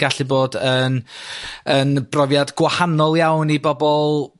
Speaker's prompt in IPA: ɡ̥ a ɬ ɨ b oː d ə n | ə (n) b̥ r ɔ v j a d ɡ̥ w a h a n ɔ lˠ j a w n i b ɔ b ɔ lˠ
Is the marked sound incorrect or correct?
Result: correct